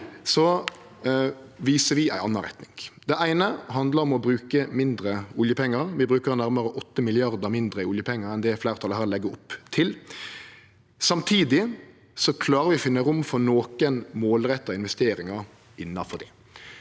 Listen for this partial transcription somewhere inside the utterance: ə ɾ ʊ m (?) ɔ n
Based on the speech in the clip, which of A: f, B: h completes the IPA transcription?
A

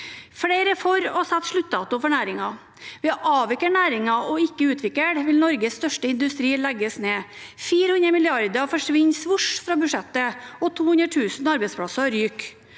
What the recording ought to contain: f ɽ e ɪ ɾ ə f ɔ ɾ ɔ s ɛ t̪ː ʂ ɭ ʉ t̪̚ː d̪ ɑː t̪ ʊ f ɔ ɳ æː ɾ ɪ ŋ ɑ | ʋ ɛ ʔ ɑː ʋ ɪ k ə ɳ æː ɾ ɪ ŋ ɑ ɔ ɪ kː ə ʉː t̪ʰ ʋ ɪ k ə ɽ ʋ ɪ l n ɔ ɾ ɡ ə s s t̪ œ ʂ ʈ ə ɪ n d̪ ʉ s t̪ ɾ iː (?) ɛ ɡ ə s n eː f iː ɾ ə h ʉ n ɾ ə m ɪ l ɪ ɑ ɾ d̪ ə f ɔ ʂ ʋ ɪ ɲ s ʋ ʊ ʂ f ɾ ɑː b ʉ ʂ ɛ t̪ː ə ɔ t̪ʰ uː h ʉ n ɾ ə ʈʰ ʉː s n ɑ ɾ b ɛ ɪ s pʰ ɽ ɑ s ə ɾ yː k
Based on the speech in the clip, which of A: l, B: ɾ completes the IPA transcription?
A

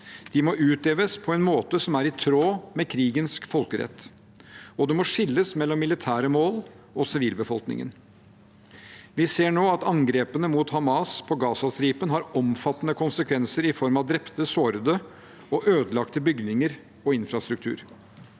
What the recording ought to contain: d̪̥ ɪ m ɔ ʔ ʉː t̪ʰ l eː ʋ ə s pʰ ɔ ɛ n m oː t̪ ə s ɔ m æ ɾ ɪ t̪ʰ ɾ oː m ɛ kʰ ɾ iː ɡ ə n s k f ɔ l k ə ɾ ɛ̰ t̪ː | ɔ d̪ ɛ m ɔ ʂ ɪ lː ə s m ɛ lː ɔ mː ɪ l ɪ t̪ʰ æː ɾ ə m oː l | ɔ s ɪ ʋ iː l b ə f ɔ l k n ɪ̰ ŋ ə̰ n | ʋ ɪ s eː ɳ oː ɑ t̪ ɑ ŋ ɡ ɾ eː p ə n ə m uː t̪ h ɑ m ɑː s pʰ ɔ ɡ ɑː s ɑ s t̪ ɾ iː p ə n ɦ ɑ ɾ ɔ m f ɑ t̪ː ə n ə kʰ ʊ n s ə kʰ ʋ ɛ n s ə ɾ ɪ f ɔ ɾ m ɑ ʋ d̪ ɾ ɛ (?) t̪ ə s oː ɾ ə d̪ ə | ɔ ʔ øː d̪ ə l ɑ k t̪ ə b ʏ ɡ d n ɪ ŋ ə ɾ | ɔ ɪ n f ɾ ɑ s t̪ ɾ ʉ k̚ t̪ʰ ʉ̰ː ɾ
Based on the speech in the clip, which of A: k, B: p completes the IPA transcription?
B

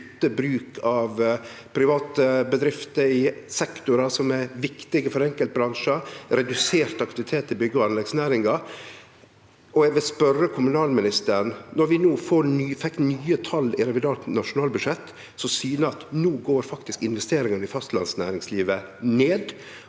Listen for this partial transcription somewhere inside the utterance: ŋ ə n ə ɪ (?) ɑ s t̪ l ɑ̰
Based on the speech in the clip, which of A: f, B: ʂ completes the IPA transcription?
A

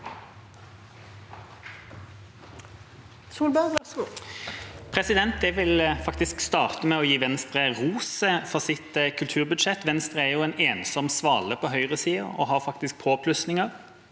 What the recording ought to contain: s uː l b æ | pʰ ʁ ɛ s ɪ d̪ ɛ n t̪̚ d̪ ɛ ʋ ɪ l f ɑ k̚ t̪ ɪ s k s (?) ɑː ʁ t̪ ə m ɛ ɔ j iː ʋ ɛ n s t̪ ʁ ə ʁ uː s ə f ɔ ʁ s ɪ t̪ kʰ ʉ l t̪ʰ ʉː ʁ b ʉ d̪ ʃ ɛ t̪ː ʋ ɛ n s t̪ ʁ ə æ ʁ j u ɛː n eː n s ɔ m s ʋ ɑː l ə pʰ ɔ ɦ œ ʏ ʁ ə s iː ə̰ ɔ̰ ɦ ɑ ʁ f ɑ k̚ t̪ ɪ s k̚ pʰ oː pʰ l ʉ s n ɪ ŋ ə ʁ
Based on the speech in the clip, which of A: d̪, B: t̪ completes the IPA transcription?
B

